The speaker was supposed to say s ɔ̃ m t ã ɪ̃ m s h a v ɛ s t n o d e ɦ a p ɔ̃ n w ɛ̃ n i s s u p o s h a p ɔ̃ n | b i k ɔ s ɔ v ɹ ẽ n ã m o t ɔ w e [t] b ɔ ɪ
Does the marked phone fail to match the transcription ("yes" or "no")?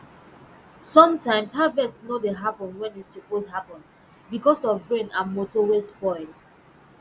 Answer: yes